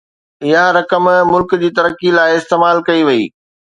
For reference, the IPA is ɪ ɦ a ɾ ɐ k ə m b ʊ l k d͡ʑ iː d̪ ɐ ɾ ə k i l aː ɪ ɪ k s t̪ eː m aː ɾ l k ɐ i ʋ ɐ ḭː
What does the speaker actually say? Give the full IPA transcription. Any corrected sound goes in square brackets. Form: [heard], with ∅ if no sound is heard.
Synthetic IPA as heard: ɪ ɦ a ɾ ɐ k ə m [m] ʊ l k d͡ʑ iː [t̪] ɐ ɾ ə k i l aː ɪ ɪ [∅] s t̪ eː m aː [∅] l k ɐ i ʋ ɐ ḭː